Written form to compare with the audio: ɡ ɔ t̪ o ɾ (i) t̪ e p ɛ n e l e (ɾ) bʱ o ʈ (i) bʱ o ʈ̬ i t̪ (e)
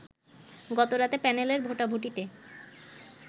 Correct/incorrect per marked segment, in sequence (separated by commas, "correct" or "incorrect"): incorrect, correct, incorrect, correct